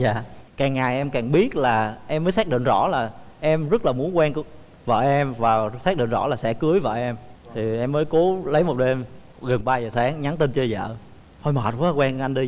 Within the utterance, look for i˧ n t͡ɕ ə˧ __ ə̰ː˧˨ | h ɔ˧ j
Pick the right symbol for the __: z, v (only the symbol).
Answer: z